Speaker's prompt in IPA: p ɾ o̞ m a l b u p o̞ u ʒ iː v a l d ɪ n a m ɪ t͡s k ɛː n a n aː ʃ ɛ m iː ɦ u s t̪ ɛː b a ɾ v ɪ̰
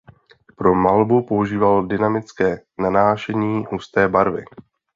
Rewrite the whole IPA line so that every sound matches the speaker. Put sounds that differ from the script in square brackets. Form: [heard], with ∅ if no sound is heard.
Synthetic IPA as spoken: p ɾ o̞ m a l b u p o̞ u ʒ iː v a l d ɪ n a m ɪ t͡s k ɛː n a n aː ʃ ɛ [ɲ] iː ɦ u s t̪ ɛː b a ɾ v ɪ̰